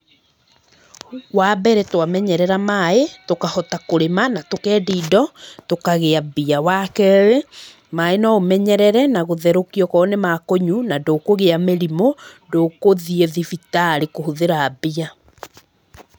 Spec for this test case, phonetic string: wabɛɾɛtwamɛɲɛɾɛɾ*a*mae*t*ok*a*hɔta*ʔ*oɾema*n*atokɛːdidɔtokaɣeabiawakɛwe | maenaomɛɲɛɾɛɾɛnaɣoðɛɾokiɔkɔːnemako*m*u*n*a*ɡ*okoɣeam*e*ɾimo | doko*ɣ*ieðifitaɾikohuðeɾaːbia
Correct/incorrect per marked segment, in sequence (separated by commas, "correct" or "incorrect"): correct, correct, correct, incorrect, correct, incorrect, correct, incorrect, correct, incorrect